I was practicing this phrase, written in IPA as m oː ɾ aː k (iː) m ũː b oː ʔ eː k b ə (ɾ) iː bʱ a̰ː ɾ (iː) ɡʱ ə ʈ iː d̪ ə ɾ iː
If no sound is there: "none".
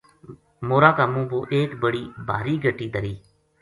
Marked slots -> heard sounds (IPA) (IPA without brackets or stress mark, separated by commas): aː, ɽ, iː